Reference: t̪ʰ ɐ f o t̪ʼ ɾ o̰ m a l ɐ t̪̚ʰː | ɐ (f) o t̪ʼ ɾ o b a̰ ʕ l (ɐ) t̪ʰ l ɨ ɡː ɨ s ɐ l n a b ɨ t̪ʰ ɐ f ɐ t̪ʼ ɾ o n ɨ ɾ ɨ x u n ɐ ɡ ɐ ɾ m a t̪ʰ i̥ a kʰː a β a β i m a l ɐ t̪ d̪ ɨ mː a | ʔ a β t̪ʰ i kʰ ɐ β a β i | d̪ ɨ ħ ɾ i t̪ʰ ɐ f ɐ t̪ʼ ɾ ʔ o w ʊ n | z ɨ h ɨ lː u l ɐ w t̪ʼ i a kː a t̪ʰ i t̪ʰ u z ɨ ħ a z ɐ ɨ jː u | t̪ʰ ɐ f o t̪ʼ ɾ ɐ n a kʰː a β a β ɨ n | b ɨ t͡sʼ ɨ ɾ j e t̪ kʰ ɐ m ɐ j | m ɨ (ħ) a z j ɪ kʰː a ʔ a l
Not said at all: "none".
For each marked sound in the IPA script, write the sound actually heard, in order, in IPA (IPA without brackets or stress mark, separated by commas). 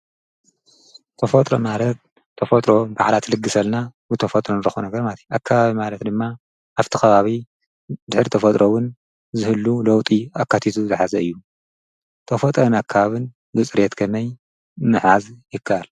f, a, ħ